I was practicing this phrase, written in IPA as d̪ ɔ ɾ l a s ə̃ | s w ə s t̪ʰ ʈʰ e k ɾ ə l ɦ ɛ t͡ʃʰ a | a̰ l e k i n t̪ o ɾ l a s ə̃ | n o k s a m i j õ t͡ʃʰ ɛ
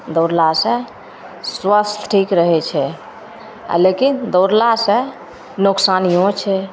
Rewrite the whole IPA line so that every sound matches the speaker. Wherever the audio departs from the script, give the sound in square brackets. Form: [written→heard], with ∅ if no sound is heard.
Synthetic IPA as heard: d̪ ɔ ɾ l a s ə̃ | s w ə s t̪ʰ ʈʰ [e→i] k ɾ ə [l→∅] ɦ ɛ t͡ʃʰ [a→ɛ] | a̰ l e k i n [t̪→d̪] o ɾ l a s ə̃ | n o k s a [m→n] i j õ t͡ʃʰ ɛ